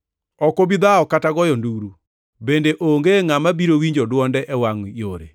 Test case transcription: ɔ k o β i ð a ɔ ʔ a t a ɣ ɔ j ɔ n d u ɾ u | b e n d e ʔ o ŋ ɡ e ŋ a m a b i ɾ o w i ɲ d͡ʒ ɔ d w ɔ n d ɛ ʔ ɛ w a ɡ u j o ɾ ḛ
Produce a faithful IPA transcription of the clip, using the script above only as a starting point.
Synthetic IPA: ɔ k o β i ð a ɔ k a t a ɣ ɔ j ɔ n d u ɾ u | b e n d e ʔ o ŋ ɡ e ŋ a m a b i ɾ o w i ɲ d͡ʒ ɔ d w ɔ n d ɛ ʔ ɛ w a ŋ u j o ɾ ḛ